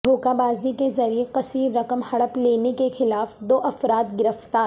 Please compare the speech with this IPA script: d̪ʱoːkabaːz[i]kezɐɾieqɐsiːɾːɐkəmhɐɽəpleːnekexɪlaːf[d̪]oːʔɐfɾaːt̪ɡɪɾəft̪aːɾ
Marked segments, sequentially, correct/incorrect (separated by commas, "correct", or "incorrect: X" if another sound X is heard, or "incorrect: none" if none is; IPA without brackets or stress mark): correct, correct